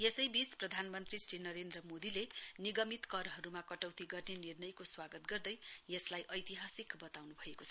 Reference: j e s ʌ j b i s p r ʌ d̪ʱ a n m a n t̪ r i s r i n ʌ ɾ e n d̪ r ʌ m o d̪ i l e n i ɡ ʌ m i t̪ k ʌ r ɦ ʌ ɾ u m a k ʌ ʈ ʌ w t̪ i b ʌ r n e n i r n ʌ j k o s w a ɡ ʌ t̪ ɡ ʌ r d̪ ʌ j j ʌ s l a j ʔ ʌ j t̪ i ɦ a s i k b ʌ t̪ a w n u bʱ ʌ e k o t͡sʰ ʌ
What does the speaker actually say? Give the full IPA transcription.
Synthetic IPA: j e s ʌ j b i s p r ʌ d̪ʱ a n m ʌ n t̪ r i s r i n ʌ ɾ e n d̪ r ʌ m o d̪ i l e n i ɡ ʌ m i t̪ k ʌ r ɦ ʌ ɾ u m a k ʌ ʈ ʌ w t̪ i ɡ ʌ r n e n i r n ʌ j k o s w a ɡ ʌ t̪ ɡ ʌ r d̪ ʌ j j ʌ s l a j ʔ ʌ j t̪ i ɦ a s i k b ʌ t̪ a w n u bʱ ʌ e k o t͡sʰ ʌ

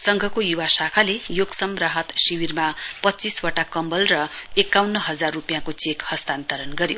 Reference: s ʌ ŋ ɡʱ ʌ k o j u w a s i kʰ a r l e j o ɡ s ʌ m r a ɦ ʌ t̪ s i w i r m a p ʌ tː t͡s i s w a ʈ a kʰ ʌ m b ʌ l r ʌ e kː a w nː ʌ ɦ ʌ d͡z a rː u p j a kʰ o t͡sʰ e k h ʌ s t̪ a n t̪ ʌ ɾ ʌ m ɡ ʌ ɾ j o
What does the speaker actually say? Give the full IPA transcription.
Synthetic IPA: s ʌ ŋ ɡʱ ʌ k o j u w a s a kʰ a l e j o ɡ s ʌ m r a ɦ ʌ t̪ s i w i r m a p ʌ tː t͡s i s w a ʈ a k ʌ m b ʌ l r ʌ e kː a w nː ʌ ɦ ʌ d͡z a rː u p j a k o t͡s e k h ʌ s t̪ a n t̪ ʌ ɾ ʌ n ɡ ʌ ɾ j o

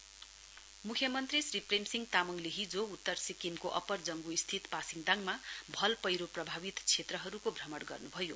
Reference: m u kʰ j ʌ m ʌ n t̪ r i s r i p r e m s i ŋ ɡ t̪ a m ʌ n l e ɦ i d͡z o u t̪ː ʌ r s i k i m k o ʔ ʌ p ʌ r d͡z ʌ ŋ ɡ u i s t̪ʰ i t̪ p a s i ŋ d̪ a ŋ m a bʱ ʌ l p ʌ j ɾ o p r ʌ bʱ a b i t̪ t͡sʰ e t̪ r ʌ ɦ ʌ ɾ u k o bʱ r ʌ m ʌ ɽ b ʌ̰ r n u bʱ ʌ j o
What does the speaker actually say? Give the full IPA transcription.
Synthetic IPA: m u kʰ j ʌ m ʌ n t̪ r i s r i p r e m s i ŋ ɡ t̪ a m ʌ ŋ l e ɦ i d͡z o u t̪ː ʌ r s i k i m k o ʔ ʌ p ʌ r d͡z ʌ ŋ ɡ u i s t̪ʰ i t̪ p a s i ŋ d̪ a ŋ m a bʱ ʌ l p ʌ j ɾ o p r ʌ bʱ a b i t̪ t͡sʰ e t̪ r ʌ ɦ ʌ ɾ u k o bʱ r ʌ m ʌ ɽ ɡ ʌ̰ r n u bʱ ʌ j o

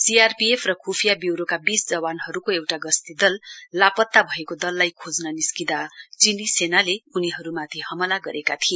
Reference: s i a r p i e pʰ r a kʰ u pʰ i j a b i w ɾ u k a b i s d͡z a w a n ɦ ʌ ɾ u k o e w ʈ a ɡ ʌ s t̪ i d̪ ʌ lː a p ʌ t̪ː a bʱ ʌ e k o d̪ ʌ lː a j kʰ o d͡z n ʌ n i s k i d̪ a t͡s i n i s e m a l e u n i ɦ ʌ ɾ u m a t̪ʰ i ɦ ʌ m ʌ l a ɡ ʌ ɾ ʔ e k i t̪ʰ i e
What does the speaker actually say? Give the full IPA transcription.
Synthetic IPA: s i a r p i e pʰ r ʌ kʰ u pʰ i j a b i w ɾ o k a b i s d͡z ʌ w a n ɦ ʌ ɾ u k o e w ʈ a ɡ ʌ s t̪ i d̪ ʌ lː a p ʌ t̪ː a bʱ ʌ e k o d̪ ʌ lː a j kʰ o d͡z n ʌ n i s k i d̪ a t͡s i n i s e n a l e u n i ɦ ʌ ɾ u m a t̪ʰ i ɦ ʌ m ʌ l a ɡ ʌ ɾ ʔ e k a t̪ʰ i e

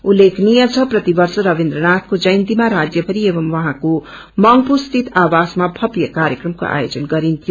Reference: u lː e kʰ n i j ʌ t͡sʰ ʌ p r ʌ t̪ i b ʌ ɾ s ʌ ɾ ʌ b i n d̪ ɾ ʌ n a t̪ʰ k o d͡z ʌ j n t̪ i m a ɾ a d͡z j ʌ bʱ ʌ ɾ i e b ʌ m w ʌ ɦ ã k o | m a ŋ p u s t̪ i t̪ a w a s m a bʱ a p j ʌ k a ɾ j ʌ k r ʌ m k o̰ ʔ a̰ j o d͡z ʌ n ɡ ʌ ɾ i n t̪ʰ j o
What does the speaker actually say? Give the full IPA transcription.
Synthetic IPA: u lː e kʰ n i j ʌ t͡sʰ ʌ p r ʌ t̪ i b ʌ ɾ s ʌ ɾ ʌ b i n d̪ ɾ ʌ n a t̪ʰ k o d͡z ʌ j n t̪ i m a ɾ a d͡z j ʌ bʱ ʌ ɾ i e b ʌ m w ʌ ɦ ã k o | m ʌ ŋ p u s t̪ i t̪ a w a s m a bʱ ʌ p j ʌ k a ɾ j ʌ k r ʌ m k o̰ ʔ a̰ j o d͡z ʌ n ɡ ʌ ɾ i n t̪ʰ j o

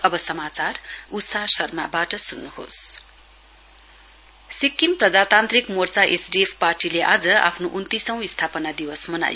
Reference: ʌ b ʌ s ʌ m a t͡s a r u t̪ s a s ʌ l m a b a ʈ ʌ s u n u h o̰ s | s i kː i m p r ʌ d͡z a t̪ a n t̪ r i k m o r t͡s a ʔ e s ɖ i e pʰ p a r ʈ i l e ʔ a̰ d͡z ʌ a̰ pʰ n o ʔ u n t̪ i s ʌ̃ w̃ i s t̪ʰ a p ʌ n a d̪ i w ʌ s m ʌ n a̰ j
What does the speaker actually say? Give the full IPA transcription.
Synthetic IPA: ʌ b ʌ s ʌ m a t͡s a r u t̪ s a s ʌ r m a b a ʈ ʌ s u nː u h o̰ s | s i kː i m p r ʌ d͡z a t̪ a n t̪ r i k m o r t͡s a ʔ e s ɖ i e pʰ p a r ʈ i l e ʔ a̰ d͡z ʌ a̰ pʰ n o ʔ u n t̪ i s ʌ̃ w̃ i s t̪ʰ a p ʌ n a d̪ i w ʌ s m ʌ n a̰ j

